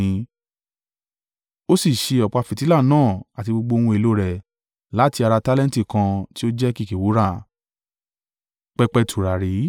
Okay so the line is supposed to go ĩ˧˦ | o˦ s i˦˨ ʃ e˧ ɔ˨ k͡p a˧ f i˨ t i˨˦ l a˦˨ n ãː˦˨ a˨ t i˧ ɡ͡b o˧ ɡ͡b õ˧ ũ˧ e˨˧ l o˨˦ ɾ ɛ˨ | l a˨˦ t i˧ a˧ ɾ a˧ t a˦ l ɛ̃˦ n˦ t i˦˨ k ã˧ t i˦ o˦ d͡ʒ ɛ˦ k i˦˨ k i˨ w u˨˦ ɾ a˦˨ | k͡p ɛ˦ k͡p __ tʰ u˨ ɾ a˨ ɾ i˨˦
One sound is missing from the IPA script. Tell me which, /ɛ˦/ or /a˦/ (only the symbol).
ɛ˦